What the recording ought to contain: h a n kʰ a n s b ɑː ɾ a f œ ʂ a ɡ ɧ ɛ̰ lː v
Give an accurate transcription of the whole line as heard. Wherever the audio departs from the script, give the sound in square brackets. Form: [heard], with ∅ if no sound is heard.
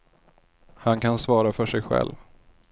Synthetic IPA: h a n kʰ a n s [v] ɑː ɾ a f œ ʂ [ɛ] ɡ ɧ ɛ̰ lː v